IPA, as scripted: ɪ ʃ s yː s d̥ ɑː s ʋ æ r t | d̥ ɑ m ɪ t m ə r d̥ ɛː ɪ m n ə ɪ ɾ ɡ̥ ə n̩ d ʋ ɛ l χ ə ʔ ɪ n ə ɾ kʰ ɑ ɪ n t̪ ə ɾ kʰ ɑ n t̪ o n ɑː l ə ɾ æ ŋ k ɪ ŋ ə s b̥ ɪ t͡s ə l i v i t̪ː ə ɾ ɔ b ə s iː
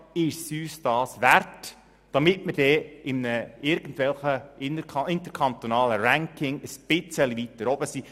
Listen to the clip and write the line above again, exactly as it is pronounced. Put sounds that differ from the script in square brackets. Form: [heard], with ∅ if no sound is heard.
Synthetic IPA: ɪ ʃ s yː s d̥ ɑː s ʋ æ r t | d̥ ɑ m ɪ t m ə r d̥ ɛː ɪ m n ə ɪ ɾ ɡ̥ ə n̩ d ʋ ɛ l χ ə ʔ ɪ n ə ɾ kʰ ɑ ɪ n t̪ ə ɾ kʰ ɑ n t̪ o n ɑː l ə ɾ æ ŋ k ɪ ŋ ə s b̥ ɪ t͡s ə l i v i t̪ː ə ɾ ɔ b ə s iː